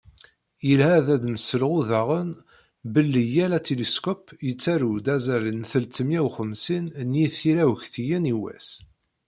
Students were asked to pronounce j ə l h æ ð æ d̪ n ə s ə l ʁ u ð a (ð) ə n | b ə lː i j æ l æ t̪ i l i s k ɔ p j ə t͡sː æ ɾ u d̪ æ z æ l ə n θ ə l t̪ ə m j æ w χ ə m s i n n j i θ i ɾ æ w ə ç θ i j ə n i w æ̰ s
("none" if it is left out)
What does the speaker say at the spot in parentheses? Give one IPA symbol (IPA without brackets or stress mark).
ʁ